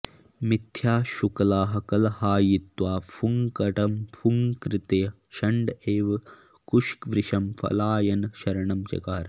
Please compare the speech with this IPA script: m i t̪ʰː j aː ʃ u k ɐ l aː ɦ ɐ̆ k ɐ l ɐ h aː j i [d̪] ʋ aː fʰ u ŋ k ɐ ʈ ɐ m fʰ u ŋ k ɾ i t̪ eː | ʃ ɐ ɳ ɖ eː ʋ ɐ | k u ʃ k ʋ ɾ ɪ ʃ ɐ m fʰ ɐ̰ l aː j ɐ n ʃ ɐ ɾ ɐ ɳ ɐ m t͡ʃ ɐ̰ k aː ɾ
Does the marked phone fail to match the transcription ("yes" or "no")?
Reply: yes